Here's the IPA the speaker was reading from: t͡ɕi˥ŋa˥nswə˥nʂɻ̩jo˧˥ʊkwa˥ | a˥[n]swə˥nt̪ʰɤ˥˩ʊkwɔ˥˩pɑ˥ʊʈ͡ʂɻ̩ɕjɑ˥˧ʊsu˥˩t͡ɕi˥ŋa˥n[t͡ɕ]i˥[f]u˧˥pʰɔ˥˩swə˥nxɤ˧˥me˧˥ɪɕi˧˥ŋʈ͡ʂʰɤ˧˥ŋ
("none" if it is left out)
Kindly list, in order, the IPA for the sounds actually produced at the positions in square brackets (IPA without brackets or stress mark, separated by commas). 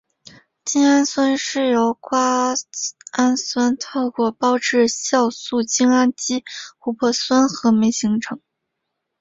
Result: n, t͡ɕ, x